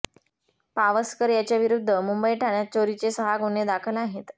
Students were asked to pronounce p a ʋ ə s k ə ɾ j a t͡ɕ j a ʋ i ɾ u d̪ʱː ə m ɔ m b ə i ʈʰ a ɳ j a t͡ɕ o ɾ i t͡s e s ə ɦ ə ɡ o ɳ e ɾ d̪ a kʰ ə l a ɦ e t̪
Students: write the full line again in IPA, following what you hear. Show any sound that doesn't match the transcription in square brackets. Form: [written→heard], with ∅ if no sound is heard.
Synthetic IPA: p a ʋ ə s k ə ɾ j a t͡ɕ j a ʋ i ɾ u d̪ʱː ə m [ɔ→u] m b ə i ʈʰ a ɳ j a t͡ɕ o ɾ i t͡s e s ə ɦ [ə→a] ɡ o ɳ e [ɾ→∅] d̪ a kʰ ə l a ɦ e t̪